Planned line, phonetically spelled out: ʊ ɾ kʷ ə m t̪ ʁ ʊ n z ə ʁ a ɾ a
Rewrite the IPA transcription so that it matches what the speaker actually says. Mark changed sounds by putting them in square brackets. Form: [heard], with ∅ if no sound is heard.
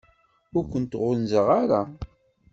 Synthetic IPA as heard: ʊ ɾ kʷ ə [n] t̪ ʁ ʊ n z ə ʁ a ɾ a